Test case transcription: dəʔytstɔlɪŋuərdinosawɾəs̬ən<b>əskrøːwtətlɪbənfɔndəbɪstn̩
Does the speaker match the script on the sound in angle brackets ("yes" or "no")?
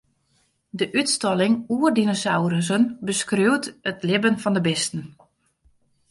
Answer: yes